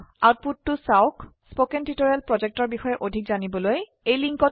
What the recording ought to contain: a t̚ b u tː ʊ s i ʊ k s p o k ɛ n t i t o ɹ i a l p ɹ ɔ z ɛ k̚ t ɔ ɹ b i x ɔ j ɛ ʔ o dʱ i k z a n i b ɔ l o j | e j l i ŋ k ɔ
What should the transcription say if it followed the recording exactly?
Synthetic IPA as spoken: a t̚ p u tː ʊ s a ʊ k s p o k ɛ n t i t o ɹ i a l p ɹ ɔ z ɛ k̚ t ɔ ɹ b i x ɔ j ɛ ʔ o dʱ i k z a n i b ɔ l o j | e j l i ŋ k ɔ